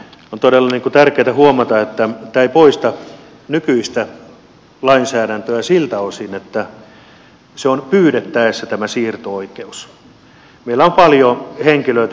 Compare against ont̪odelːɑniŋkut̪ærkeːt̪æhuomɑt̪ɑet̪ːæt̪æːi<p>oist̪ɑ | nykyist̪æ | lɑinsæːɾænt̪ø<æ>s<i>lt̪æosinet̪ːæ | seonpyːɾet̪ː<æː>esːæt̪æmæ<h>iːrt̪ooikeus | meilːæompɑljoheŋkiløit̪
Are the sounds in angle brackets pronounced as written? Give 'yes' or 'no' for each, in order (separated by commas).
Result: yes, yes, yes, no, no